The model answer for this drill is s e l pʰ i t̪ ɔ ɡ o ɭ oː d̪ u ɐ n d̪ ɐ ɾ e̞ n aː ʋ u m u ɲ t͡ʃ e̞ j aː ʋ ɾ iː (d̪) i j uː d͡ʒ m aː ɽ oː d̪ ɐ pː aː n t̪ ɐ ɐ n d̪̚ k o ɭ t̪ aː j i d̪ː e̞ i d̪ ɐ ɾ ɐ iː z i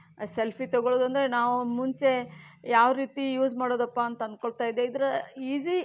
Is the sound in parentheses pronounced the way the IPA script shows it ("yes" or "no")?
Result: no